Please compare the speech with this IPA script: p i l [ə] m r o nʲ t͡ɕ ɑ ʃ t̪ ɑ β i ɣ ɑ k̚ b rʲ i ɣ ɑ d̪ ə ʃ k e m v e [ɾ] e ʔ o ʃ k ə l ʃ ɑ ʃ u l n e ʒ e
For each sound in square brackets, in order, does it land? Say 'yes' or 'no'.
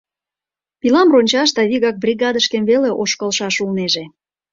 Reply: no, no

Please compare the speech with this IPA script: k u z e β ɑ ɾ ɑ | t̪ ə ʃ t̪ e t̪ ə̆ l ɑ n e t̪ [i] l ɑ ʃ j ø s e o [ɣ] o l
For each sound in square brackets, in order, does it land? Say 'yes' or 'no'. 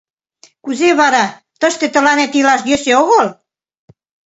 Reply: yes, yes

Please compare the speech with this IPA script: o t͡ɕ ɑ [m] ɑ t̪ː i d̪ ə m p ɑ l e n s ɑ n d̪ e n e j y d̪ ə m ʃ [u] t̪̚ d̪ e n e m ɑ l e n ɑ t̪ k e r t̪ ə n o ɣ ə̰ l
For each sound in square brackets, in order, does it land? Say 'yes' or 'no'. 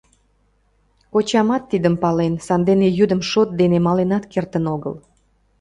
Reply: yes, no

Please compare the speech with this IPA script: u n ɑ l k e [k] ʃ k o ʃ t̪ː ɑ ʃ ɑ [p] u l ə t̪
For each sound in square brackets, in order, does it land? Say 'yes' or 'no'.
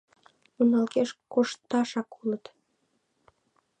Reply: no, no

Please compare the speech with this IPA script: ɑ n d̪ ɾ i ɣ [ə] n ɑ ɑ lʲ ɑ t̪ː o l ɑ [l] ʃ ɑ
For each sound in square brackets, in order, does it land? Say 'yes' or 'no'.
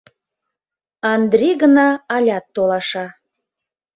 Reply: yes, no

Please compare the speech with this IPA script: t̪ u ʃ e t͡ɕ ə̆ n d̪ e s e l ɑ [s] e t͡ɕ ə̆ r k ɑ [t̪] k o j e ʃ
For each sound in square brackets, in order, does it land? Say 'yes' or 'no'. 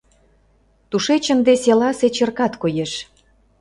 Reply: yes, yes

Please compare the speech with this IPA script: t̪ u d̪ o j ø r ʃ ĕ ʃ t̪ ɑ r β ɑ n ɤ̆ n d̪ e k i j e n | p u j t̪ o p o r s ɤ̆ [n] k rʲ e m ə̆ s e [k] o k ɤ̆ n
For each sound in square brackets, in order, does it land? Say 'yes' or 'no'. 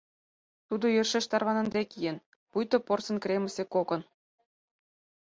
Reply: yes, yes

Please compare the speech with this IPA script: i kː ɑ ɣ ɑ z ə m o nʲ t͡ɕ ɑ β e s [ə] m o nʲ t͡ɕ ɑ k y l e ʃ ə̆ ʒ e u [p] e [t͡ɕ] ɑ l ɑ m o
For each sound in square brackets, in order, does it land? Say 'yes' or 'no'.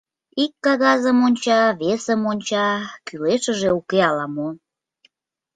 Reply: yes, no, no

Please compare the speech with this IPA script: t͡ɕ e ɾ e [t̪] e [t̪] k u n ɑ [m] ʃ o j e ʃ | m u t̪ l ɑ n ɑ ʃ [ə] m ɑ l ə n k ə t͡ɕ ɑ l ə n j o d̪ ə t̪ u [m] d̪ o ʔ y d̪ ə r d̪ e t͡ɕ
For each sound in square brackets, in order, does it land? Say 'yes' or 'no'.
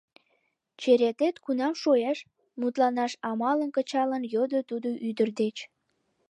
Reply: yes, yes, yes, no, no

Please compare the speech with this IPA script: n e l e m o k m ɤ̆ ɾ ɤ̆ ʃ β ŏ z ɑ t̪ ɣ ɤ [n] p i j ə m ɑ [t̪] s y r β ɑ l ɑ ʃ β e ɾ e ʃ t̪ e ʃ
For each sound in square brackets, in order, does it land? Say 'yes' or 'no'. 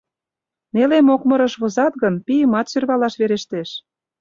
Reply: yes, yes

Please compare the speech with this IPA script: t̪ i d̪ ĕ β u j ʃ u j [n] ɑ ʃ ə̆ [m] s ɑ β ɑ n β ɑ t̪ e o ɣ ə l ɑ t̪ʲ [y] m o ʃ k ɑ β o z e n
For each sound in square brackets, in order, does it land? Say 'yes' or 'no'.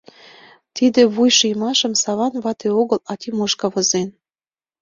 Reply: no, yes, no

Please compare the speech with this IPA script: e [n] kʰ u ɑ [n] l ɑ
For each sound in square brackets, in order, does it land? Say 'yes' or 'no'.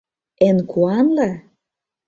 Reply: yes, yes

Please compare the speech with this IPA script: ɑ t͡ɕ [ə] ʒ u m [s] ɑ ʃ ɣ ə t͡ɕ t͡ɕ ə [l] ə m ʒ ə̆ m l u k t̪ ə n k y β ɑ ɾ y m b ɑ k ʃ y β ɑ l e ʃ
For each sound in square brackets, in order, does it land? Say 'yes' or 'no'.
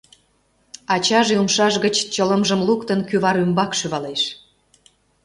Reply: no, no, yes

